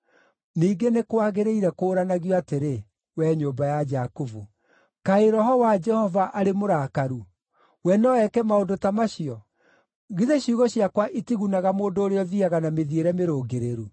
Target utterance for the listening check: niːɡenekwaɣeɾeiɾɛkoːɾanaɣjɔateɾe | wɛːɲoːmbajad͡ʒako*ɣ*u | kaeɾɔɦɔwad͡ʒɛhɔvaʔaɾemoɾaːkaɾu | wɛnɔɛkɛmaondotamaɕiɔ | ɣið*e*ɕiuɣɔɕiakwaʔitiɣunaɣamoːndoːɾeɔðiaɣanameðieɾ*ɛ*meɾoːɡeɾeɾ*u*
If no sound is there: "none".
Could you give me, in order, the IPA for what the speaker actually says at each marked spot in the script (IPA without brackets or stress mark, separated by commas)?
v, e, ɛ, u